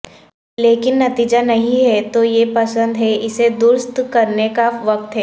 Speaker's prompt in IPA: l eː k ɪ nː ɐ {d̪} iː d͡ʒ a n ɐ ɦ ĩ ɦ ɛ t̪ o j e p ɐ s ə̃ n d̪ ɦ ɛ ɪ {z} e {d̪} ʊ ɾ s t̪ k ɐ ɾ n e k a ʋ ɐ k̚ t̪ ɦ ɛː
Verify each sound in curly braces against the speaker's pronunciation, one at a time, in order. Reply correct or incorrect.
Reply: incorrect, incorrect, correct

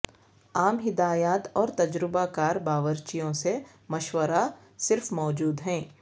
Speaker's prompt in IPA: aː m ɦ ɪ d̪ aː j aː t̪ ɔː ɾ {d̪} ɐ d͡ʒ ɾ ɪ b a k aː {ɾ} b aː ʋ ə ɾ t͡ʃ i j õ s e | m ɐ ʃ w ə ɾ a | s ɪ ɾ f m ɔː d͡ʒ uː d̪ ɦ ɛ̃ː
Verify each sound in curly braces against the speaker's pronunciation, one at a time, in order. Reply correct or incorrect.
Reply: incorrect, correct

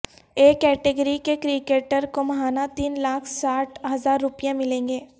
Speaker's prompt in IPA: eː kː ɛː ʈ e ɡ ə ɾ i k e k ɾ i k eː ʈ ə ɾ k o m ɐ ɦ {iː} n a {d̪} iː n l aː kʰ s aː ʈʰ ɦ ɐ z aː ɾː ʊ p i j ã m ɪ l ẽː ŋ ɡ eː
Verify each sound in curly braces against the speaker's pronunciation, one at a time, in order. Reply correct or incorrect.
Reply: incorrect, incorrect

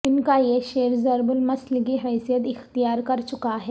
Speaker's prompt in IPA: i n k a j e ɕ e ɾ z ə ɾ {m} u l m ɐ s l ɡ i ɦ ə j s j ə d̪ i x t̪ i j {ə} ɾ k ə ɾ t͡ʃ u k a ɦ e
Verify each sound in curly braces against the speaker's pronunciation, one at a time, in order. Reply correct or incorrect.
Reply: incorrect, incorrect

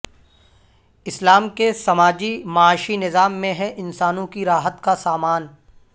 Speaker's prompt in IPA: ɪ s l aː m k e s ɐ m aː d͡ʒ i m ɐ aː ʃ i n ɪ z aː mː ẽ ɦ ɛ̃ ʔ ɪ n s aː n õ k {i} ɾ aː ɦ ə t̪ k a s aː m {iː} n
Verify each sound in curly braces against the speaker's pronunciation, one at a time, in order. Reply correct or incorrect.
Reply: correct, incorrect

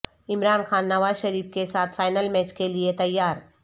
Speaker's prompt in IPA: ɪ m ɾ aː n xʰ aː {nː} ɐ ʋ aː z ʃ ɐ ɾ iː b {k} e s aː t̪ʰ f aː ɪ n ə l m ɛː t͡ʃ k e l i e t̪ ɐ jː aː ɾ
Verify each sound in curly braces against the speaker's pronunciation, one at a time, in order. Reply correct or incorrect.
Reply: correct, correct

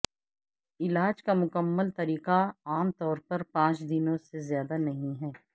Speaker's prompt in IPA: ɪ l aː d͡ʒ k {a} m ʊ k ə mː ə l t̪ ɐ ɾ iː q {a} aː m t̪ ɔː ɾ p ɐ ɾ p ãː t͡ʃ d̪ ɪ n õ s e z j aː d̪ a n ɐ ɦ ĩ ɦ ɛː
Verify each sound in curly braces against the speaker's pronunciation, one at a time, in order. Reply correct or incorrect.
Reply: correct, correct

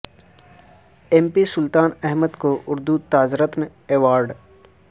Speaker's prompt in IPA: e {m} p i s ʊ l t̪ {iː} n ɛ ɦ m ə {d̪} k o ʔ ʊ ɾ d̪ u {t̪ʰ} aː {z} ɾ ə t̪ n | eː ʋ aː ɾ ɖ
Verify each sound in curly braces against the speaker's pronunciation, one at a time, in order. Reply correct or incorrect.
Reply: correct, incorrect, correct, incorrect, correct

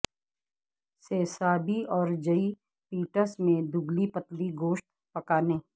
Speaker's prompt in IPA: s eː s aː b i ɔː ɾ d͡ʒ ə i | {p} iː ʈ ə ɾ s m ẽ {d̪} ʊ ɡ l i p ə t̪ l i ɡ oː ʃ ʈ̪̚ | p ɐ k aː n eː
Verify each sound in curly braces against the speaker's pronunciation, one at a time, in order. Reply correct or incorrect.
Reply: correct, correct

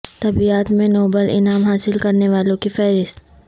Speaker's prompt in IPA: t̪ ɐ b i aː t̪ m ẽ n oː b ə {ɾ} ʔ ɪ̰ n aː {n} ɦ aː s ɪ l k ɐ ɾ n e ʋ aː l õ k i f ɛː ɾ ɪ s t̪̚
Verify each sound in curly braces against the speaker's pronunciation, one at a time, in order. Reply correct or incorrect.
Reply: incorrect, incorrect

